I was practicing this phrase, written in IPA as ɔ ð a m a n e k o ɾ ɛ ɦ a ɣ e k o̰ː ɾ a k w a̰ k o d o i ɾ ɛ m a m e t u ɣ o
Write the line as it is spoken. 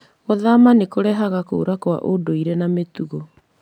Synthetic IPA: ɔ ð a m a n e k o ɾ ɛ ɦ a ɣ a k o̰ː ɾ a k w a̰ ʔ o d o i ɾ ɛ n a m e t u ɣ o